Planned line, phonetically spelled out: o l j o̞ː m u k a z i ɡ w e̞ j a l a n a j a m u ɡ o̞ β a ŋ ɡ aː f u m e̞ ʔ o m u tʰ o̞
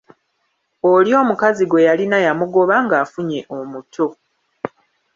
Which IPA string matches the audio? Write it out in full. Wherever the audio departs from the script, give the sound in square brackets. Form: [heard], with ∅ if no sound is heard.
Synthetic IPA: o l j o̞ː m u k a z i ɡ w e̞ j a l [i] n a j a m u ɡ o̞ β a ŋ ɡ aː f u [ɲ] e̞ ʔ o m u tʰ o̞